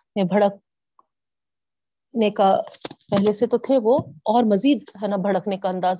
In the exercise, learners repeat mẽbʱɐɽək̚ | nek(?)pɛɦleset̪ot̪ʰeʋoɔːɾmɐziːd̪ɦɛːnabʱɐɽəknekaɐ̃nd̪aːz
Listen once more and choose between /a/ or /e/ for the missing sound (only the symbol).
a